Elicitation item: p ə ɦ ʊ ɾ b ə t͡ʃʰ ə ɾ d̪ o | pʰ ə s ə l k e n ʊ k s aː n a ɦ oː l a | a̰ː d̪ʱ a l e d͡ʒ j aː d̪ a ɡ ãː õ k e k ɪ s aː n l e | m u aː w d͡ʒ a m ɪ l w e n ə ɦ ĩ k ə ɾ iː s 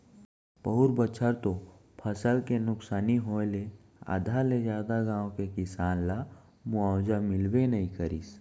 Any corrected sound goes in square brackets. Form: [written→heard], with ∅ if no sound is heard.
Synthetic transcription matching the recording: p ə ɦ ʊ ɾ b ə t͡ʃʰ ə ɾ [d̪→t̪] o | pʰ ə s ə l k e n ʊ k s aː n [a→i] ɦ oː l [a→e] | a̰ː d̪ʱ a l e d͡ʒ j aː d̪ a ɡ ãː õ k e k ɪ s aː n l [e→a] | m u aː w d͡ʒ a m ɪ l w e n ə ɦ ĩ k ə ɾ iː s